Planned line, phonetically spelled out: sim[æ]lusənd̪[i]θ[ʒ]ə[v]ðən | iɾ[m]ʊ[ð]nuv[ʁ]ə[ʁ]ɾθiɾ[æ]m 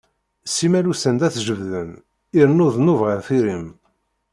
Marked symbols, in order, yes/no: yes, no, yes, yes, no, yes, yes, no, no

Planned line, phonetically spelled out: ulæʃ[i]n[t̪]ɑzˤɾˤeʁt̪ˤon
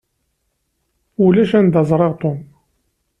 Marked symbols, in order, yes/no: no, no

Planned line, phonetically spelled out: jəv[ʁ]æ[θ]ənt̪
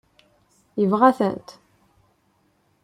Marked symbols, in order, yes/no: yes, yes

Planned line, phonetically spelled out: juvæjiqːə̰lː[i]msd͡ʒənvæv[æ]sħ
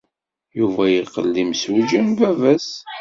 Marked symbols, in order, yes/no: yes, yes

